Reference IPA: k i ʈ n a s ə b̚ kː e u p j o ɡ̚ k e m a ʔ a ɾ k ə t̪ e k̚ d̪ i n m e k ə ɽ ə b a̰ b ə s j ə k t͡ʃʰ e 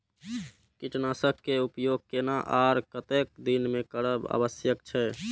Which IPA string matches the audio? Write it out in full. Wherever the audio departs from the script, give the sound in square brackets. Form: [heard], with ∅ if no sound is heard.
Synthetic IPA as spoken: k i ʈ n a s ə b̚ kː e u p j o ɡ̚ k e [n] a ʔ a ɾ k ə t̪ e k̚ d̪ i n m e k ə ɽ ə b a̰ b ə s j ə k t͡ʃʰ [ɛ]